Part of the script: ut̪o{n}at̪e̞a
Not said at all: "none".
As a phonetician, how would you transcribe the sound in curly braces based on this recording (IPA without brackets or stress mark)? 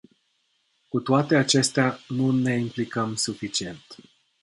none